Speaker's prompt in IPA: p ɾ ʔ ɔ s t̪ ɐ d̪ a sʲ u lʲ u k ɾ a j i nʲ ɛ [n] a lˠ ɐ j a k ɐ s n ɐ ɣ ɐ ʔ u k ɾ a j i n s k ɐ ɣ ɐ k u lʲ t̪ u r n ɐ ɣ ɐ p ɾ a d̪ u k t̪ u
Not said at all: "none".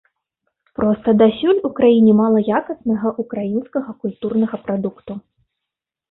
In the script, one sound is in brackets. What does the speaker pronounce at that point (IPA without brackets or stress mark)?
m